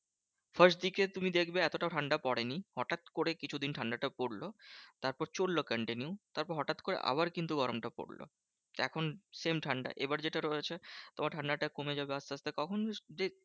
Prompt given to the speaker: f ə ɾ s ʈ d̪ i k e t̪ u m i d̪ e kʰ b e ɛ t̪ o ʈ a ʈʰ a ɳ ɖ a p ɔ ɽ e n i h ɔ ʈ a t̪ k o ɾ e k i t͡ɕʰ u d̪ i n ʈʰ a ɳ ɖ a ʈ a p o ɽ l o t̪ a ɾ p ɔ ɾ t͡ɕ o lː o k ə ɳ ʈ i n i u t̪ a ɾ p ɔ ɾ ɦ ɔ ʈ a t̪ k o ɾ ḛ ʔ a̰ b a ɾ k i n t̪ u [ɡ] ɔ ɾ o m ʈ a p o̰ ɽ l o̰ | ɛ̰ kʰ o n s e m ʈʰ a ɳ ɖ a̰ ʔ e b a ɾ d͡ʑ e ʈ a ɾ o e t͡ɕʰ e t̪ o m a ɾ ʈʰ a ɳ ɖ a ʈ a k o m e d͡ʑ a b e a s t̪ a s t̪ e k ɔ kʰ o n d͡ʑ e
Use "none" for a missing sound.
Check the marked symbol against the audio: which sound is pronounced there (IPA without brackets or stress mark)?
ɡ